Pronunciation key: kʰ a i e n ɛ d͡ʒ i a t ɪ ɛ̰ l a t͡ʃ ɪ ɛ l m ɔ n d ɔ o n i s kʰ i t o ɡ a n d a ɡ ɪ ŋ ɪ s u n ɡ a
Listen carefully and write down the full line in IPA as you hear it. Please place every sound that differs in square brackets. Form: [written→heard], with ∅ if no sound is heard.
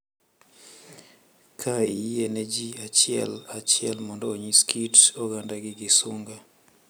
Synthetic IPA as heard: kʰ a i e n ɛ d͡ʒ i a [t→t͡ʃ] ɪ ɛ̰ l a t͡ʃ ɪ ɛ l m ɔ n d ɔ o [n→ɲ] i s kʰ i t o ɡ a n d a ɡ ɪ [ŋ→ɡ] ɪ s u [n→ŋ] ɡ a